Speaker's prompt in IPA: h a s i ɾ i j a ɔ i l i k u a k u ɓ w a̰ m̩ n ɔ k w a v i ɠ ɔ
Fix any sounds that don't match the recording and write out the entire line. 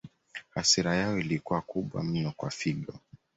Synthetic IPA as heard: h a s i ɾ a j a ɔ i l i k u a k u ɓ w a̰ m̩ n ɔ k w a f i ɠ ɔ